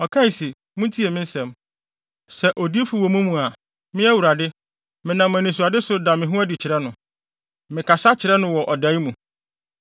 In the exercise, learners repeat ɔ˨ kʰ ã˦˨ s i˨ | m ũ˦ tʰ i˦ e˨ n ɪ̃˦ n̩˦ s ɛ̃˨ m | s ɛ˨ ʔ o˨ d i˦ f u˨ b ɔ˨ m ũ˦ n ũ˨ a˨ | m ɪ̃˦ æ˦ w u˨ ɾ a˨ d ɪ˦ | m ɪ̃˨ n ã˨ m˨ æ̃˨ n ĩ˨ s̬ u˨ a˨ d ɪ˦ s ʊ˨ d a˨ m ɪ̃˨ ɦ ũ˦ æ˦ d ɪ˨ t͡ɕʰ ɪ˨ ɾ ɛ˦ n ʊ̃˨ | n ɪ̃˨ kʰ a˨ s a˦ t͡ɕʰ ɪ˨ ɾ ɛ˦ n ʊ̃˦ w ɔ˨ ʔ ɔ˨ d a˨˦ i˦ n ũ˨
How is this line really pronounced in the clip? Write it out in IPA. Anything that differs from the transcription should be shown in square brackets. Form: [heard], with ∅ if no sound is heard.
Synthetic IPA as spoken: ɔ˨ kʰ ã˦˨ s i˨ | m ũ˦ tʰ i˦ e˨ [m] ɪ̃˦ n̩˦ s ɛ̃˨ m | s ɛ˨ ʔ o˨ d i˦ f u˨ [w] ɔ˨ m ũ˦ [m] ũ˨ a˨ | m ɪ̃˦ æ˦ w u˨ ɾ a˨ d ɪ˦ | m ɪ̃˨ n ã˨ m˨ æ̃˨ n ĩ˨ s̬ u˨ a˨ d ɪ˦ s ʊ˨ d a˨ m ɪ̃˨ ɦ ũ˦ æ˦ d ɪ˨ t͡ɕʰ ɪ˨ ɾ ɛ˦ n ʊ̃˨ | [m] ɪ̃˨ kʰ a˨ s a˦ t͡ɕʰ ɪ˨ ɾ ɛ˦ n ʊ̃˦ w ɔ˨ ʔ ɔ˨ d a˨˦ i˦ [m] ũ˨